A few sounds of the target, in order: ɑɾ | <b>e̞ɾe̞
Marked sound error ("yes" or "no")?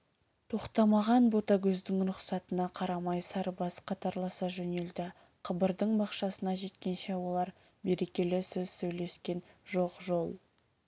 no